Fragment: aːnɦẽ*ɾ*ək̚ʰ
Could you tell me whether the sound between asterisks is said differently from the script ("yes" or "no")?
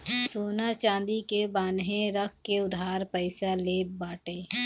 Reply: no